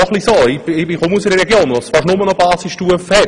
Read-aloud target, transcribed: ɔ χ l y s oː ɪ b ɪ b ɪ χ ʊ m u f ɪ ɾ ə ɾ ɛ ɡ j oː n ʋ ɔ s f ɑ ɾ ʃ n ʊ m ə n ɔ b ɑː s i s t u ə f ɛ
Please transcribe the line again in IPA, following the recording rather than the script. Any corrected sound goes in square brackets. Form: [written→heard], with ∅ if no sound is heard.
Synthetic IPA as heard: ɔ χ l [y→i] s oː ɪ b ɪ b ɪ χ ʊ m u [f→s] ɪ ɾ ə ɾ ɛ ɡ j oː n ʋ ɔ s f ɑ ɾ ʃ n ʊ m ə n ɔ b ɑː s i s t u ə f ɛ